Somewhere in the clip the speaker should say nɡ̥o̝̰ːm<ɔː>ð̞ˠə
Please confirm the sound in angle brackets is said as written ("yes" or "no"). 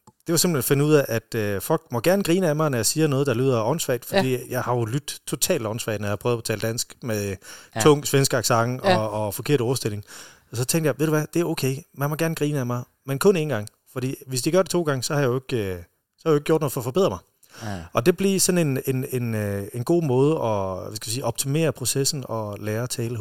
yes